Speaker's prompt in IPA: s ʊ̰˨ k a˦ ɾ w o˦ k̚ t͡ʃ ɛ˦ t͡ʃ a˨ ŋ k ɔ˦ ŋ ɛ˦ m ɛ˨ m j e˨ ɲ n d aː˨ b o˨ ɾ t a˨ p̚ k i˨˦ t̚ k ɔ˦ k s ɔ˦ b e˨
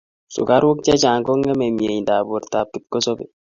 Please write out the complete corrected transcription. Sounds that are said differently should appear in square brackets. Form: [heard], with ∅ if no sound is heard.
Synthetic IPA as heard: s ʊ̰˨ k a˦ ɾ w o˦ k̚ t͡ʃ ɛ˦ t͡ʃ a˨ ŋ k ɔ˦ ŋ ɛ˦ m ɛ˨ m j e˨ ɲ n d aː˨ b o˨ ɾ t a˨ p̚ k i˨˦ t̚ k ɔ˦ [∅] s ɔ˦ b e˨